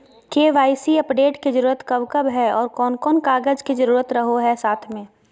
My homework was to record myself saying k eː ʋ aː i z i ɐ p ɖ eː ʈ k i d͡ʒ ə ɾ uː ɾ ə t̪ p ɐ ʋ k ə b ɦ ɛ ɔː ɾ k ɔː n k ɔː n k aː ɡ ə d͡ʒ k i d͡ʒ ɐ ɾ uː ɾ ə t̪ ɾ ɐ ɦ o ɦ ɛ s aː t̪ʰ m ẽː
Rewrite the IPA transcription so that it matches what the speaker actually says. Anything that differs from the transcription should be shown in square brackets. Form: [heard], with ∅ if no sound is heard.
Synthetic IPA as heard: k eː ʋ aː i [s] i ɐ p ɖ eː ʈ k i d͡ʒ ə ɾ uː ɾ ə t̪ [k] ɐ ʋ k ə b ɦ ɛ ɔː ɾ k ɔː n k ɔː n k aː ɡ ə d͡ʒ k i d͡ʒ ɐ ɾ uː ɾ ə t̪ ɾ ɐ ɦ o ɦ ɛ s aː t̪ʰ m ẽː